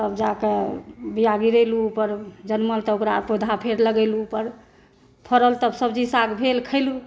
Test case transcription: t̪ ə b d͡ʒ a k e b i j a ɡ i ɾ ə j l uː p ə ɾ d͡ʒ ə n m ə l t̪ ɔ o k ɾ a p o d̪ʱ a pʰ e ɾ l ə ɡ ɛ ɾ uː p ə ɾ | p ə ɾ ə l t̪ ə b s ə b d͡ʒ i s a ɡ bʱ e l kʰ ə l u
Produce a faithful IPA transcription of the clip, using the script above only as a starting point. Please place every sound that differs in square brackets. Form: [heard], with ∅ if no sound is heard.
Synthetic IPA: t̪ ə b d͡ʒ a k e b i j a ɡ i ɾ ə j l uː p ə ɾ d͡ʒ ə n m ə l t̪ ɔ o k ɾ a p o d̪ʱ a pʰ e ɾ l ə ɡ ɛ [l] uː p ə ɾ | [pʰ] ə ɾ ə l t̪ ə b s ə b d͡ʒ i s a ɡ bʱ e l kʰ ə l u